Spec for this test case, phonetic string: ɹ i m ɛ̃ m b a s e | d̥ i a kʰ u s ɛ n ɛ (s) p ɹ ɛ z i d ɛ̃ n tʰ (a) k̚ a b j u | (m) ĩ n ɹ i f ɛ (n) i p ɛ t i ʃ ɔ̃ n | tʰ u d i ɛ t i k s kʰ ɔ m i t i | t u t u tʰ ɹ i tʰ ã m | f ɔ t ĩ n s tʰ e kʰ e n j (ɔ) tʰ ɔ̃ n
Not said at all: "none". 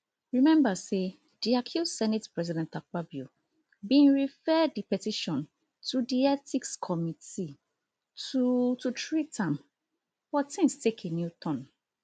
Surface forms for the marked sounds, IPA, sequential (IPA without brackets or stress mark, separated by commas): t, a, b, d, u